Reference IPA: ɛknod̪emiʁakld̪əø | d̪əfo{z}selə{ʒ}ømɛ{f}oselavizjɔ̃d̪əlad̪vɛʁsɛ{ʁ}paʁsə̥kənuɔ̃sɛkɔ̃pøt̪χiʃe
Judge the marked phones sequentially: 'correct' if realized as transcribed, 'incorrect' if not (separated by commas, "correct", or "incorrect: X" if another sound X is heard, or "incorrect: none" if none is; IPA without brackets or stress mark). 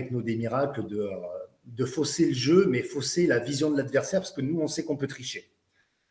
incorrect: none, correct, correct, correct